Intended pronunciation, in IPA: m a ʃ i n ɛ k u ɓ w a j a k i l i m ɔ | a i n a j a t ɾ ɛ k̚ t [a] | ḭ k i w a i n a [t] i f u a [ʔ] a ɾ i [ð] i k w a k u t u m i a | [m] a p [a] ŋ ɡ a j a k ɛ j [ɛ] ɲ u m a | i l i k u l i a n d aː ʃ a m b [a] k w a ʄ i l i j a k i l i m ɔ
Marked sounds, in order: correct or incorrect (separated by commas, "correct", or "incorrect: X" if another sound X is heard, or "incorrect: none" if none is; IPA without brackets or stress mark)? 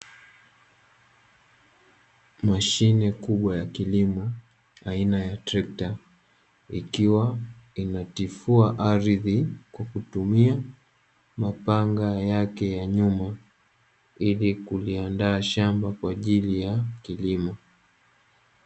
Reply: correct, correct, correct, correct, correct, correct, incorrect: a, correct